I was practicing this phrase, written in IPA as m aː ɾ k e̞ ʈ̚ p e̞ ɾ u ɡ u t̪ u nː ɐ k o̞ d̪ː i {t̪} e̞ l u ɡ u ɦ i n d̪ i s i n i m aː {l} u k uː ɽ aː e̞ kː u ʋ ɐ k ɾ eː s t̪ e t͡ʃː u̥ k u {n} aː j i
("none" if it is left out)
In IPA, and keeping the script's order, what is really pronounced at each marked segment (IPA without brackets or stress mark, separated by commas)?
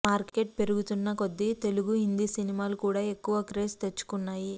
t̪, l, nː